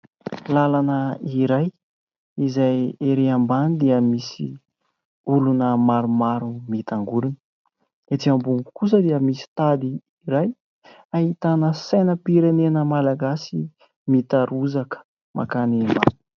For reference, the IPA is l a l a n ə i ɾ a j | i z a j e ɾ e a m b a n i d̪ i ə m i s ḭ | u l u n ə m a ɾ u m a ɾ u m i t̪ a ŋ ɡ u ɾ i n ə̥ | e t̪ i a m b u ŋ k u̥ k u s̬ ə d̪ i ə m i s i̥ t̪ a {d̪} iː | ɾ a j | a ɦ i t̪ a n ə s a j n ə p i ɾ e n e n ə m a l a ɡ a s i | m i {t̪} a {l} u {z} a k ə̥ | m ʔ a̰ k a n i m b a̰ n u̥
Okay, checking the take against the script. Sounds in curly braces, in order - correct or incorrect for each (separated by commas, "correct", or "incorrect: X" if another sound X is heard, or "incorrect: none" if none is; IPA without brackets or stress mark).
correct, correct, incorrect: ɾ, correct